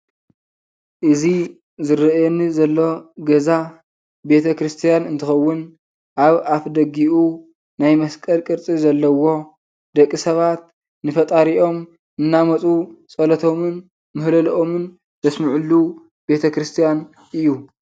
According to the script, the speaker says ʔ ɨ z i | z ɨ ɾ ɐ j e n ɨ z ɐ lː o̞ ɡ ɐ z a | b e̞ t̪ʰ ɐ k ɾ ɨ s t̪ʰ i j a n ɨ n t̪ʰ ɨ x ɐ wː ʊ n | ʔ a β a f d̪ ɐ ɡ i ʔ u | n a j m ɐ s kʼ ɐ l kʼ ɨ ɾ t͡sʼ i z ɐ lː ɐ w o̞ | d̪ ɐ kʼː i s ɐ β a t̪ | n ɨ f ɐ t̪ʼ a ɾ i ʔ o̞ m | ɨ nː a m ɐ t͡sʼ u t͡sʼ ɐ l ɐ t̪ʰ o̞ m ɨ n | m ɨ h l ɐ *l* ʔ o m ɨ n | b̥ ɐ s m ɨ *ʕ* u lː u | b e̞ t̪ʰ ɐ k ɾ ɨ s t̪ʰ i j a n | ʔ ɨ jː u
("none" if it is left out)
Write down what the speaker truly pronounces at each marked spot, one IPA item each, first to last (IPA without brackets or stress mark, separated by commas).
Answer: l, ʕ